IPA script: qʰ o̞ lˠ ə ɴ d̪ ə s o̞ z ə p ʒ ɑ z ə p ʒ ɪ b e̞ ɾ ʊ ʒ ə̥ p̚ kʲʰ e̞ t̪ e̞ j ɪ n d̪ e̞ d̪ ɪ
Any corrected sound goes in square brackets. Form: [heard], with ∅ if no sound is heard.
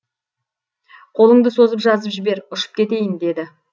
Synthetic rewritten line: qʰ o̞ lˠ ə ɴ d̪ ə s o̞ z ə p ʒ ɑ z ə p ʒ ɪ b e̞ ɾ ʊ [ʃ] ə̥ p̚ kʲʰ e̞ t̪ e̞ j ɪ n d̪ e̞ d̪ ɪ